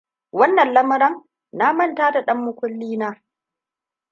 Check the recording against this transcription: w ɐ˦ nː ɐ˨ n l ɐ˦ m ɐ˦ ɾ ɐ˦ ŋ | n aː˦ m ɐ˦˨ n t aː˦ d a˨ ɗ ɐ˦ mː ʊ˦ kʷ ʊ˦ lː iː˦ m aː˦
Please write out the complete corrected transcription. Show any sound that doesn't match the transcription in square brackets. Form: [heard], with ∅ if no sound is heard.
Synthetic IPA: w ɐ˦ nː ɐ˨ n l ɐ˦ m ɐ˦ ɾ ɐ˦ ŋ | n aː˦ m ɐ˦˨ n t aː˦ d a˨ ɗ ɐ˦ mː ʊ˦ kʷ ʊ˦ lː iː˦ [n] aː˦